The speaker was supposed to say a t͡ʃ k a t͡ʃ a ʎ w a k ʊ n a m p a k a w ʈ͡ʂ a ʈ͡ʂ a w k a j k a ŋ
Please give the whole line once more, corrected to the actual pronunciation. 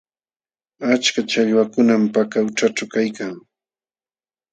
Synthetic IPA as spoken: a t͡ʃ k a t͡ʃ a ʎ w a k ʊ n a m p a k a w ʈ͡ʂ a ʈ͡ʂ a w k a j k a ŋ